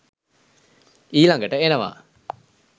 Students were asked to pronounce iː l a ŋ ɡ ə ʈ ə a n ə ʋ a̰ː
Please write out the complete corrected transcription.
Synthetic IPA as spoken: iː l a ŋ ɡ ə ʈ ə e n ə ʋ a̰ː